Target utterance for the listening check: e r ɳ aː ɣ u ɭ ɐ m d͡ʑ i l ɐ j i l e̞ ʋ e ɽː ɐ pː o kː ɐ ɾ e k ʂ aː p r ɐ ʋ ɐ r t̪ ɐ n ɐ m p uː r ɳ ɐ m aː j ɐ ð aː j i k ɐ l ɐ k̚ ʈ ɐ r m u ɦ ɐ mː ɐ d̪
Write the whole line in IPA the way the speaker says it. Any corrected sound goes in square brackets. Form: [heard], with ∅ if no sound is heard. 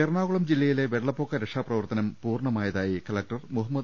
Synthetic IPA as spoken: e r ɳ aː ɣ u ɭ ɐ m d͡ʑ i [lː] ɐ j i l e̞ ʋ e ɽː ɐ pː o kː ɐ ɾ e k ʂ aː p r ɐ ʋ ɐ r t̪ ɐ n ɐ m p uː r ɳ ɐ m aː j ɐ ð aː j i k ɐ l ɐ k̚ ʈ ɐ r m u ɦ ɐ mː ɐ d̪